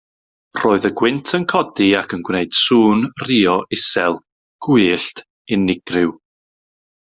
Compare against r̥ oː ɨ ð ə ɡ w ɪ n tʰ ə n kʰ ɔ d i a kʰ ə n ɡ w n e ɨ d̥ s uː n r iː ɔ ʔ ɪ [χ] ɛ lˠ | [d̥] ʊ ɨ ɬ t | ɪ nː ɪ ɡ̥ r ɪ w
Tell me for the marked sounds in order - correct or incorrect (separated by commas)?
incorrect, incorrect